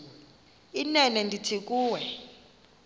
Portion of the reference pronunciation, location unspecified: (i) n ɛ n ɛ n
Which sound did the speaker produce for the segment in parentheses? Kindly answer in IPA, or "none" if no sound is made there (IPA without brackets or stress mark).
i